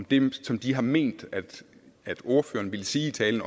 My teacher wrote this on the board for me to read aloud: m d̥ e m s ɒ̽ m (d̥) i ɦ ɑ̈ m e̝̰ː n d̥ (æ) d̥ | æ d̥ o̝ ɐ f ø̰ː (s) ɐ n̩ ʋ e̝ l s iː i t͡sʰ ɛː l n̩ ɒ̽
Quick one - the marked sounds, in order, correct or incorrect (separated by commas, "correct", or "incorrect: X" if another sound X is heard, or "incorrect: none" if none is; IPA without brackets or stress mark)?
correct, correct, incorrect: none